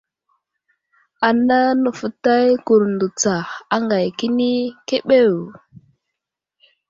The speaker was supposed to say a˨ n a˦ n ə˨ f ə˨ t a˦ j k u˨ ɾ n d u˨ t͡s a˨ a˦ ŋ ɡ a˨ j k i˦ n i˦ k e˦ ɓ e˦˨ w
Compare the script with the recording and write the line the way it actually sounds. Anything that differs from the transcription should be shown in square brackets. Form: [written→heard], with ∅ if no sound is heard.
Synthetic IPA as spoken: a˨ n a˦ n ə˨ f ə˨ t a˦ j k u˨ ɾ n d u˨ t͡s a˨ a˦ ŋ ɡ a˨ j k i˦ n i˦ k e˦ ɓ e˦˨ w